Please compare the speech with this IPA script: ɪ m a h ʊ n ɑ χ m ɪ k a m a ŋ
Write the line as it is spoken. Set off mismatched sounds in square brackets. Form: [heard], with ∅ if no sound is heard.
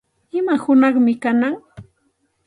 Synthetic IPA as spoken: ɪ m a h ʊ n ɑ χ m ɪ k a [n] a ŋ